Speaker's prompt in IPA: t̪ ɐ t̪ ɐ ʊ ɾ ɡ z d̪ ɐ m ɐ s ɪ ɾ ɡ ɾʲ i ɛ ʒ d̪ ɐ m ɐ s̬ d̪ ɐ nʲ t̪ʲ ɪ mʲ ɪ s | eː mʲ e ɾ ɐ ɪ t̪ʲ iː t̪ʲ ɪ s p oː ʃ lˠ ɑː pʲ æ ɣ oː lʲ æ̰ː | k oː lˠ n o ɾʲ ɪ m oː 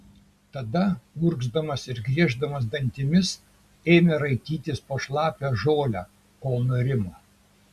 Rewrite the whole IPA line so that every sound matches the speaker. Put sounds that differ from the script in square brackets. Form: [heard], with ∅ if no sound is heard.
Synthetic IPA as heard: t̪ ɐ [d̪] ɐ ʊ ɾ ɡ z d̪ ɐ m ɐ s ɪ ɾ ɡ ɾʲ i ɛ ʒ d̪ ɐ m ɐ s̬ d̪ ɐ nʲ t̪ʲ ɪ mʲ ɪ s | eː mʲ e ɾ ɐ ɪ t̪ʲ iː t̪ʲ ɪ s p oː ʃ lˠ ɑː pʲ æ [ʒ] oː lʲ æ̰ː | k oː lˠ n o ɾʲ ɪ m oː